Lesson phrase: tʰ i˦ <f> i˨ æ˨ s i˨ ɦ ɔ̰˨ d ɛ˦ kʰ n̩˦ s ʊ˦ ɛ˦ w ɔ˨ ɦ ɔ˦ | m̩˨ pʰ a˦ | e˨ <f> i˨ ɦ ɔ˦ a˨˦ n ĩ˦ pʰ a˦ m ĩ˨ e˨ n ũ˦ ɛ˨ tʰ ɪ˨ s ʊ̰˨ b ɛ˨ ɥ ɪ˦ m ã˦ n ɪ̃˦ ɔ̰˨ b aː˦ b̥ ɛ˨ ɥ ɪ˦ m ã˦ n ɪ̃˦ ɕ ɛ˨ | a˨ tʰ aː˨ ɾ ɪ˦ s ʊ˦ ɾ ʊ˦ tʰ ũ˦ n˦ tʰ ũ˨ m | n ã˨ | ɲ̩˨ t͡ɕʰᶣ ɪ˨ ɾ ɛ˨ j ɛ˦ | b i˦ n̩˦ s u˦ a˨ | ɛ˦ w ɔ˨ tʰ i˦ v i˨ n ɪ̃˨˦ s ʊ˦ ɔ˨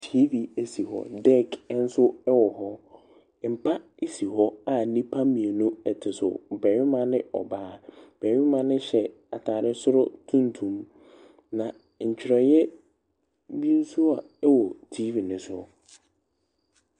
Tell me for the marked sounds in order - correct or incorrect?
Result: incorrect: v, incorrect: s

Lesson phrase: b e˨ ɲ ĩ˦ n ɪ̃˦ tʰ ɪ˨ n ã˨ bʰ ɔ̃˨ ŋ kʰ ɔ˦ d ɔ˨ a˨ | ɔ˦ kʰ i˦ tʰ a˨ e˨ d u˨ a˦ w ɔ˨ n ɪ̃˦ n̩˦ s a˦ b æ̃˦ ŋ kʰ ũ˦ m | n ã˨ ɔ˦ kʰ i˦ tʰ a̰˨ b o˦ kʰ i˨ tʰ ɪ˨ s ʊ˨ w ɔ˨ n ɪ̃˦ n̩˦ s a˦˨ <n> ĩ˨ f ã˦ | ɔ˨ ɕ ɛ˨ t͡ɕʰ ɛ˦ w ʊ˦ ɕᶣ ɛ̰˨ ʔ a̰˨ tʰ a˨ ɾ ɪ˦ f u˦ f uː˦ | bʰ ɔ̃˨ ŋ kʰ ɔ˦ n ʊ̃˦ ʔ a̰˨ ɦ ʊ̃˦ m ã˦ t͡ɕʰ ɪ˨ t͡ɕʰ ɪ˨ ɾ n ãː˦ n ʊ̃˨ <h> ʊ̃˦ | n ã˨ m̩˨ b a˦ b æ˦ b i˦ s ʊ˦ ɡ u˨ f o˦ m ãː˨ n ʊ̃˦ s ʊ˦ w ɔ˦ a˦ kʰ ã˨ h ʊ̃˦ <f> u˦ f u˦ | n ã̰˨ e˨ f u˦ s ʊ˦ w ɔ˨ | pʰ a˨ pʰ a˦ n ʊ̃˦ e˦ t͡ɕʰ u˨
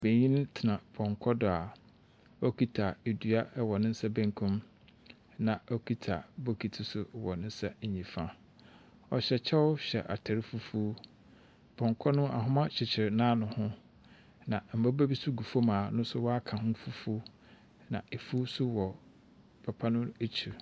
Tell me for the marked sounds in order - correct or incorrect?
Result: incorrect: ɲ, correct, correct

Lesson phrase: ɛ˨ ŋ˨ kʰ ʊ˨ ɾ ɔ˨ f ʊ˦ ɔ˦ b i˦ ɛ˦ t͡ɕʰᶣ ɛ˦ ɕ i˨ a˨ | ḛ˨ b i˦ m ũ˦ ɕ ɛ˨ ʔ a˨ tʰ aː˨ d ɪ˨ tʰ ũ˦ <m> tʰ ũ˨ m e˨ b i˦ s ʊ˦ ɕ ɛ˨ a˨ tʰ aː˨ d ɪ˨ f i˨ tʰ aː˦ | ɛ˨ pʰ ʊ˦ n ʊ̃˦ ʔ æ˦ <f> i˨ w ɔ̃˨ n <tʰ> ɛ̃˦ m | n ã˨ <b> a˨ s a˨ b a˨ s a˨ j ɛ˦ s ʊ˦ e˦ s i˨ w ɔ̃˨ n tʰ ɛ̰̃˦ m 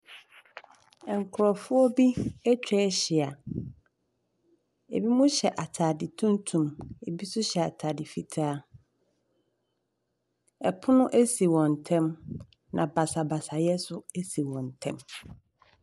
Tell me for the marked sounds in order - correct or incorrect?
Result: incorrect: n, incorrect: s, correct, correct

